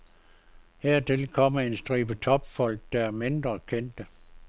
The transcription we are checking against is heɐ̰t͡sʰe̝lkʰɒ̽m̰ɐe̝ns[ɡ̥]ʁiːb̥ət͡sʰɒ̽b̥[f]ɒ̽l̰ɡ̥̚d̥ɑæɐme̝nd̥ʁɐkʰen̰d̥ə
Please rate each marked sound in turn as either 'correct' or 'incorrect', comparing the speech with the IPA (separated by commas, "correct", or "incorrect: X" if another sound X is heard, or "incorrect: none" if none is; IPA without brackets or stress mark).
incorrect: d̥, correct